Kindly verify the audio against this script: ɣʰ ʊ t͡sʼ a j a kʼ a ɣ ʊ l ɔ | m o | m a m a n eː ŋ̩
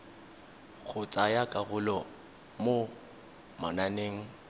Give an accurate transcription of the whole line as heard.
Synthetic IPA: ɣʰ ʊ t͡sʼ a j a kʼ a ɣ ʊ l ɔ | m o | m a n a n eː ŋ̩